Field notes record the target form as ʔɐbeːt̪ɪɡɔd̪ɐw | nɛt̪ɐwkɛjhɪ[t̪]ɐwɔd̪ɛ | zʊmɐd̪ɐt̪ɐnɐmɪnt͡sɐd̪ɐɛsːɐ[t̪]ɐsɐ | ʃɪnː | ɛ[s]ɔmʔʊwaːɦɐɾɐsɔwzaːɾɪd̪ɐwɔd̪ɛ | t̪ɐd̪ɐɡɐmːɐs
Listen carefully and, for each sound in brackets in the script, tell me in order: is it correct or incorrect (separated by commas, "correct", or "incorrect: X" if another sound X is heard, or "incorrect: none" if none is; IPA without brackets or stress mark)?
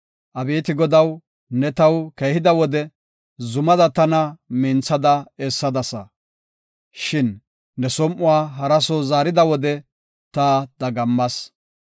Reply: incorrect: d̪, incorrect: d̪, correct